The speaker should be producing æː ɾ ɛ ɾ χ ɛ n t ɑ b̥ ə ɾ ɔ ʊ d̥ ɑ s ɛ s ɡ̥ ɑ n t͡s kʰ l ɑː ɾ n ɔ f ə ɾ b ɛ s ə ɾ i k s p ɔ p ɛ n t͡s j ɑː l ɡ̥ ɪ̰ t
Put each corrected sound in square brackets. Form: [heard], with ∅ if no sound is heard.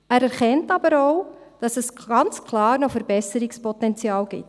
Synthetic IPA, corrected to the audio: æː ɾ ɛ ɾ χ ɛ n t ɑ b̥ ə ɾ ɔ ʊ d̥ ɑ s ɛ s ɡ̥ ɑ n t͡s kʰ l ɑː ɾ n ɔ f ə ɾ b ɛ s ə ɾ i k s p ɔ [t] ɛ n t͡s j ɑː l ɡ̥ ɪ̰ t